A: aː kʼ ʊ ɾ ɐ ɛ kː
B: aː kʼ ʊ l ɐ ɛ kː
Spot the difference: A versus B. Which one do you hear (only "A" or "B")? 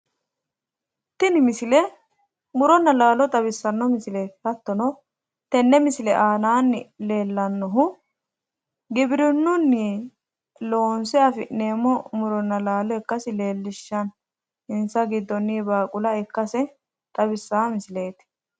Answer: B